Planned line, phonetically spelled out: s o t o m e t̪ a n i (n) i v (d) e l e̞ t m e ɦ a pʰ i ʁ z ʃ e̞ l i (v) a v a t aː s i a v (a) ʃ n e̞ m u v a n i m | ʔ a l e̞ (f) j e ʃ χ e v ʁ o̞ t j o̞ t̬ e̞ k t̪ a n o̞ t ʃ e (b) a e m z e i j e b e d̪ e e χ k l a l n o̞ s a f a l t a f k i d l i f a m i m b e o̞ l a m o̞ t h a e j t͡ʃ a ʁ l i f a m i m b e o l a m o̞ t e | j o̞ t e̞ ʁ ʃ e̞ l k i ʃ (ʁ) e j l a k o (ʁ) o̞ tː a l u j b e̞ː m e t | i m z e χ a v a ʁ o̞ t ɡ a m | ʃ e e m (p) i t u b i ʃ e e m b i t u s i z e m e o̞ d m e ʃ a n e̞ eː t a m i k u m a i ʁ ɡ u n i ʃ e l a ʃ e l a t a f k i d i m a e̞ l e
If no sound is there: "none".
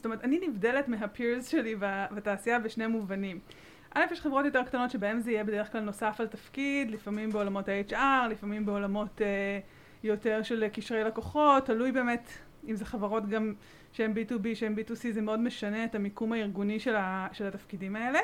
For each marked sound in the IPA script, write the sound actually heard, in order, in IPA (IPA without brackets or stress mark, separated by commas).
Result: n, d, v, e, f, b, ʁ, χ, b